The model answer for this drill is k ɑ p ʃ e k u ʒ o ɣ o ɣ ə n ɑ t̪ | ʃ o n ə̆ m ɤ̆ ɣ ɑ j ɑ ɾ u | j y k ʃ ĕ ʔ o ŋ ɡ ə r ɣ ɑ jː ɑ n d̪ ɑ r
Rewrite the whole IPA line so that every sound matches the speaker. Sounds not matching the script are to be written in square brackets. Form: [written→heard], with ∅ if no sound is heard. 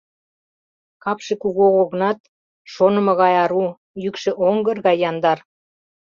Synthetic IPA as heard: k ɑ p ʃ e k u [ʒ→ɣ] o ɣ o ɣ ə n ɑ t̪ | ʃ o n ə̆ m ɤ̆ ɣ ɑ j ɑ ɾ u | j y k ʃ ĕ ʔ o ŋ ɡ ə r ɣ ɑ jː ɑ n d̪ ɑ r